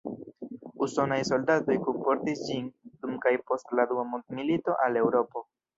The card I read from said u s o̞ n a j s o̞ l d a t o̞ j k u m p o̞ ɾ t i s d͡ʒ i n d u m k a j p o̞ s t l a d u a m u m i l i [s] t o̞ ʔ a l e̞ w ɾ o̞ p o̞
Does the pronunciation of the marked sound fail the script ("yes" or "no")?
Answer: yes